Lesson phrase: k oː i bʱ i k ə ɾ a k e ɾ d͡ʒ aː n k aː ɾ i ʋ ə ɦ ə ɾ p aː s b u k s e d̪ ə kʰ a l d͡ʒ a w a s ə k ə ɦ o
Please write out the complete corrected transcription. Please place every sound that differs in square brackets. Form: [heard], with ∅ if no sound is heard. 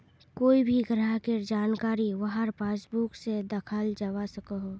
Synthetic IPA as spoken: k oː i bʱ i [ɡ] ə ɾ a k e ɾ d͡ʒ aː n k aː ɾ i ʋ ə ɦ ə ɾ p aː s b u k s e d̪ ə kʰ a l d͡ʒ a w a s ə k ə ɦ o